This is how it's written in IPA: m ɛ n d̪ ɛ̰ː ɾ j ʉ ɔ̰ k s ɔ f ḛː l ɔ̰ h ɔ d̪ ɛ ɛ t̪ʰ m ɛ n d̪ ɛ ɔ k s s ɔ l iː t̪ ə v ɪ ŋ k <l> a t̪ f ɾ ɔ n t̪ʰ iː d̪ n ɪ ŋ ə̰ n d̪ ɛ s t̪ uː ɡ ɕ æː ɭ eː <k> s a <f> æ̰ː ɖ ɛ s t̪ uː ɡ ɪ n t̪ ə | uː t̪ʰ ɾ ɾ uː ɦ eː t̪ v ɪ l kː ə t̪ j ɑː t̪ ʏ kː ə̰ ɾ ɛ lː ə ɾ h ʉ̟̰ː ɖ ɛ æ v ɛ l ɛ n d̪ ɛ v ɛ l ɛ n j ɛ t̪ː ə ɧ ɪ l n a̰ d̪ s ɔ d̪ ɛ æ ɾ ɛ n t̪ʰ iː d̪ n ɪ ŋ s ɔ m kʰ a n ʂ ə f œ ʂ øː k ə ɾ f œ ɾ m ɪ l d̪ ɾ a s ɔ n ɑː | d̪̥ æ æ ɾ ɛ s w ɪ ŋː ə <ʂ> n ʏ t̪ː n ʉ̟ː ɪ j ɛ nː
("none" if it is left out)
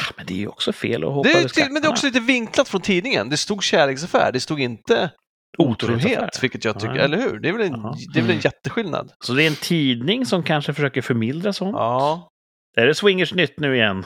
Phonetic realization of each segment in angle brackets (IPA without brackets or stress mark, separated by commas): l, k, f, ʂ